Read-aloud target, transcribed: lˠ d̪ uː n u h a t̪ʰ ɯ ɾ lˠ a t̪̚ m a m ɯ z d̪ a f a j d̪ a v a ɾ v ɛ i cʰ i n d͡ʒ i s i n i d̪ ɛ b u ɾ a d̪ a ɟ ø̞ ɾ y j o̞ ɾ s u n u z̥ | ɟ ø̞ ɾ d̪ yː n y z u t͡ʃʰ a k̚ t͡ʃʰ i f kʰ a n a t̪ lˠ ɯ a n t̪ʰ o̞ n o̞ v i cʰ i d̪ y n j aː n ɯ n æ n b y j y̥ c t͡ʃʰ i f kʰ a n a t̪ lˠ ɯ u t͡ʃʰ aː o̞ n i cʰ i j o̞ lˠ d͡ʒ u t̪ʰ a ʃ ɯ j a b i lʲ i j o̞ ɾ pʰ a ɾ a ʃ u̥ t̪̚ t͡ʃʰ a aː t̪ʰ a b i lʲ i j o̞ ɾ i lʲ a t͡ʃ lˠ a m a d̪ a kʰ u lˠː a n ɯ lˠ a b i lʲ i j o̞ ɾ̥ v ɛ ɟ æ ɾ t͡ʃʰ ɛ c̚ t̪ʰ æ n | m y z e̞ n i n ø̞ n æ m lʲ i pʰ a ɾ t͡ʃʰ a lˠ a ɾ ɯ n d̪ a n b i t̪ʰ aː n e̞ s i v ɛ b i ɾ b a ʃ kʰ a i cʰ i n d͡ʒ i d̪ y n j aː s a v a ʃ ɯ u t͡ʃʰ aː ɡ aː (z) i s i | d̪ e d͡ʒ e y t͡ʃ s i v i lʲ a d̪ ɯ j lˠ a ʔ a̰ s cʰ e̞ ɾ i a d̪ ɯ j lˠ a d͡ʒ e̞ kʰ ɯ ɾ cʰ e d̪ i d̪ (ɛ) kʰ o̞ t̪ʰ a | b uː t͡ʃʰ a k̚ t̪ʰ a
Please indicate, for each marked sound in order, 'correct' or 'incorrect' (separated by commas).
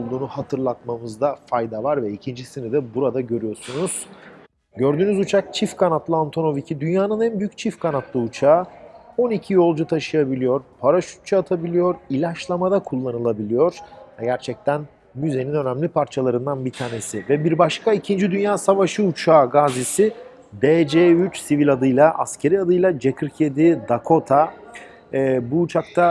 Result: correct, incorrect